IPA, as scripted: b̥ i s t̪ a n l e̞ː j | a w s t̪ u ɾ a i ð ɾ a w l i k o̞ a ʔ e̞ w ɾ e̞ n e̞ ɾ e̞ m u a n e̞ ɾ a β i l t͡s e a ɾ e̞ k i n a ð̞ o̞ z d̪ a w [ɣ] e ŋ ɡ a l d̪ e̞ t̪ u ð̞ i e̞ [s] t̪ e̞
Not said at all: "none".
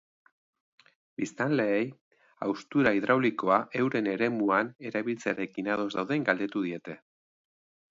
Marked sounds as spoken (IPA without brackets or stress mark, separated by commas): ð, none